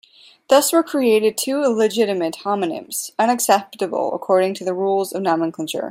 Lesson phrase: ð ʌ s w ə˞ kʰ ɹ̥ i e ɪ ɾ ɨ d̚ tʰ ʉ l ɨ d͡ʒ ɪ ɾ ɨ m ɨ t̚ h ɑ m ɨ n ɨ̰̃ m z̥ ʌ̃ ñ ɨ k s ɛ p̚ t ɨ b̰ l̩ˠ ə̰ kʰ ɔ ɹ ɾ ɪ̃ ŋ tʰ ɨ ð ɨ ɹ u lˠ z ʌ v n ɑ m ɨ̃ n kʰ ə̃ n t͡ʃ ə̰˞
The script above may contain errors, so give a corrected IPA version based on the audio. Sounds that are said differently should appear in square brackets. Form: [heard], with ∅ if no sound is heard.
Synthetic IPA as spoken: ð ʌ s w ə˞ kʰ ɹ̥ i e ɪ ɾ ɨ d̚ tʰ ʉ l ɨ d͡ʒ ɪ ɾ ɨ m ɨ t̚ h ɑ m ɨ n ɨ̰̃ m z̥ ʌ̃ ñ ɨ k s ɛ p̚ t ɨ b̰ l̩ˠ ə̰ kʰ ɔ ɹ ɾ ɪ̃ ŋ tʰ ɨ ð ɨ ɹ u lˠ z ʌ v n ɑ m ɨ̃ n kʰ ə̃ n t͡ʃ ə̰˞